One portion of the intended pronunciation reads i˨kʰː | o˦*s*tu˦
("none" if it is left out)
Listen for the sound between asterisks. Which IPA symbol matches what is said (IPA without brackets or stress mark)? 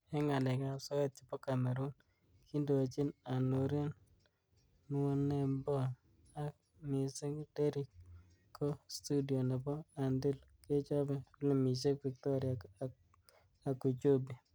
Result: s